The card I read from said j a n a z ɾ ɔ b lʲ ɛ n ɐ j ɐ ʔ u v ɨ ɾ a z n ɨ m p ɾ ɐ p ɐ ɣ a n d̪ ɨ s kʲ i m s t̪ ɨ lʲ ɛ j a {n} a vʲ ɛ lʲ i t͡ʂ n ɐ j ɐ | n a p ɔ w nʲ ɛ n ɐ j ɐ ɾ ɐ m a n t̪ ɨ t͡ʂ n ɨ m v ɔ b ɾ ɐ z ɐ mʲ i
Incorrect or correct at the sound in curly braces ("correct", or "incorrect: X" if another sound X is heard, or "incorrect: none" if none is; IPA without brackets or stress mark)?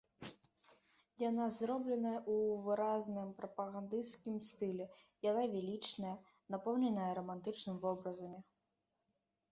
correct